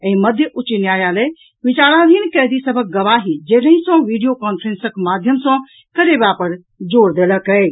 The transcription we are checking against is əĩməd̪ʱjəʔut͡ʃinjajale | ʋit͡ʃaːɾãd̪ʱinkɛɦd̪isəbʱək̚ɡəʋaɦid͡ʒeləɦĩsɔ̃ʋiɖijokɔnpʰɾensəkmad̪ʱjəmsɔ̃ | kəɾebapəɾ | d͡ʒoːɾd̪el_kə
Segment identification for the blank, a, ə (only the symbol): ə